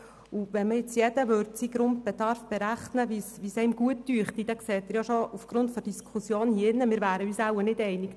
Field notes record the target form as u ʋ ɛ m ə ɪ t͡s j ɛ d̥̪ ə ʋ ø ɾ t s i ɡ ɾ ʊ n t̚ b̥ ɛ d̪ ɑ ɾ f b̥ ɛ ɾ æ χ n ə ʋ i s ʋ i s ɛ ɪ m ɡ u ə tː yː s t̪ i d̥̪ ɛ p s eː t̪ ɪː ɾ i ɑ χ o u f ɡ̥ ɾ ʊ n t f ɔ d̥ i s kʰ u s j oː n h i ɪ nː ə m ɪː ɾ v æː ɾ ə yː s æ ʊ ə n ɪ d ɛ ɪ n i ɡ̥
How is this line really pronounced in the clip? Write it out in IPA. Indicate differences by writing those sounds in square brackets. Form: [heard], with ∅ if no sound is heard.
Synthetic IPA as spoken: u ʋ ɛ m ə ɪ t͡s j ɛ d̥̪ ə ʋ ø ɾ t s i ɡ ɾ ʊ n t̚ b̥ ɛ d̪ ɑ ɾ f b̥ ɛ ɾ æ χ n ə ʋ i s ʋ i s ɛ ɪ m ɡ u ə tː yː [χ] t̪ i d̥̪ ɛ [k] s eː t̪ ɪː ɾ [j] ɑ [ʃ] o u f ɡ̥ ɾ ʊ n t f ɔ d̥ i s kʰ u s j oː n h i ɪ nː ə m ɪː ɾ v æː ɾ ə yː s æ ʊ ə n ɪ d ɛ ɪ n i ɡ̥